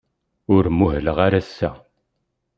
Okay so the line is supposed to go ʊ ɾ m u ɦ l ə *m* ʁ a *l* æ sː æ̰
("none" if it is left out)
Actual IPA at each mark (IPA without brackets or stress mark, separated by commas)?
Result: none, ɾ